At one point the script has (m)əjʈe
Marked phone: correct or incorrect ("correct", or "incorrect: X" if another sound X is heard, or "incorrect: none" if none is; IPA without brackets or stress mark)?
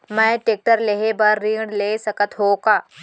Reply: correct